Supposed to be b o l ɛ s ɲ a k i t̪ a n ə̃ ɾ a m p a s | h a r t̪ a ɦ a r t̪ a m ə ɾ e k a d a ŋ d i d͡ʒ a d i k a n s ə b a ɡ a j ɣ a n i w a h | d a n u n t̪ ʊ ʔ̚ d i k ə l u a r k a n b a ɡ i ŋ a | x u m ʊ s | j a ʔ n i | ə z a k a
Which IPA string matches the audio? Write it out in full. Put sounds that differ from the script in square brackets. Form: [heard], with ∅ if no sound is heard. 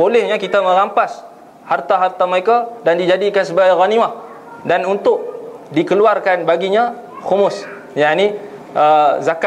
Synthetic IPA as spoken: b o l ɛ [h] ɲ a k i t̪ a [m] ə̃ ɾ a m p a s | h a r t̪ a ɦ a r t̪ a m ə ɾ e k a d a [n] d i d͡ʒ a d i k a n s ə b a ɡ a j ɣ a n i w a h | d a n u n t̪ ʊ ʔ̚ d i k ə l u a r k a n b a ɡ i [ɲ] a | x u m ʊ s | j a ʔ n i | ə z a k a